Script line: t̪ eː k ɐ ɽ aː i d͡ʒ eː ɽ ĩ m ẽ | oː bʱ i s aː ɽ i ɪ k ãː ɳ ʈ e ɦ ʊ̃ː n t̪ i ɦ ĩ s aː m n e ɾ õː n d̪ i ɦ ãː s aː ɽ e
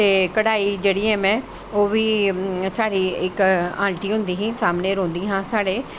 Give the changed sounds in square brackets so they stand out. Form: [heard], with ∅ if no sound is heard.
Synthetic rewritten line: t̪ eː k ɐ ɽ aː i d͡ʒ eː ɽ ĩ m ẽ | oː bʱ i s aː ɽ i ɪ k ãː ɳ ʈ [i] ɦ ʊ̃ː n [d̪] i ɦ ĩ s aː m n e ɾ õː n d̪ i ɦ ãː s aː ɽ e